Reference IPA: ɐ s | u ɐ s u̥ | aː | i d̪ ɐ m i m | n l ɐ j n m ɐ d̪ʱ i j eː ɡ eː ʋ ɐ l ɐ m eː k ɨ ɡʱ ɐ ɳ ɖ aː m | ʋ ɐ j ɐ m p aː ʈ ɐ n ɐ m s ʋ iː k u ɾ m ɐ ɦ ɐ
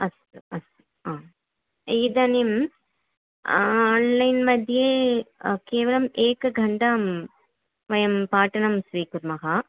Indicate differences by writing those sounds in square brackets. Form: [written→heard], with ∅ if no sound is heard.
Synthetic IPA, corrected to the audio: ɐ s | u ɐ s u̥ | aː | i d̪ ɐ [m→n] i m | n l ɐ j n m ɐ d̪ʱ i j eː [ɡ→k] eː ʋ ɐ l ɐ m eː k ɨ ɡʱ ɐ ɳ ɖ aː m | ʋ ɐ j ɐ m p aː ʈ ɐ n ɐ m s ʋ iː k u ɾ m ɐ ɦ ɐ